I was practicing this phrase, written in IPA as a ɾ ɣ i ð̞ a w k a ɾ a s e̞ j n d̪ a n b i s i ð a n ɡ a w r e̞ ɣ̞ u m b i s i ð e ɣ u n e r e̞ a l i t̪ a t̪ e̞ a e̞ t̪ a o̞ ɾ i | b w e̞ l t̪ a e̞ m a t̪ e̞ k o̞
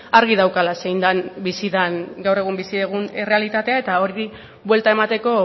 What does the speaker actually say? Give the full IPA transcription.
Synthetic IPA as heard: a ɾ ɣ i ð̞ a w k a l a s e̞ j n d̪ a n b i s i ð a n ɡ a w r e̞ ɣ̞ u m b i s i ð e ɣ u n e r e̞ a l i t̪ a t̪ e̞ a e̞ t̪ a o̞ ɾ i | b w e̞ l t̪ a e̞ m a t̪ e̞ k o̞